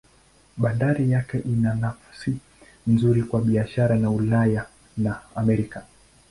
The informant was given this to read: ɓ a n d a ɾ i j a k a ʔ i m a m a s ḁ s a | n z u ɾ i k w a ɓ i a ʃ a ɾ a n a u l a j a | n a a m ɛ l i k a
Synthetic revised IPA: ɓ a n d a ɾ i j a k ɛ ʔ i n a n a f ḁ s i | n z u ɾ i k w a ɓ i a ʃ a ɾ a n a u l a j a | n a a m ɛ ɾ i k a